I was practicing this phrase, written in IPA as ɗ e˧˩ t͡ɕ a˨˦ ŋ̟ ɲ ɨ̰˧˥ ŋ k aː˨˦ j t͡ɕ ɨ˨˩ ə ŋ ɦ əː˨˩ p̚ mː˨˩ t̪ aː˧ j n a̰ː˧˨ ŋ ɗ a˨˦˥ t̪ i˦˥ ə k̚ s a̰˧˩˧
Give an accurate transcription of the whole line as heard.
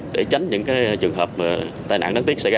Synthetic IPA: ɗ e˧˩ t͡ɕ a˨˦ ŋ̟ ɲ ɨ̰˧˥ ŋ k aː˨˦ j t͡ɕ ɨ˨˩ ə ŋ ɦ əː˨˩ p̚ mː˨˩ t̪ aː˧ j n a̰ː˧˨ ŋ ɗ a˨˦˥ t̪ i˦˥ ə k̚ s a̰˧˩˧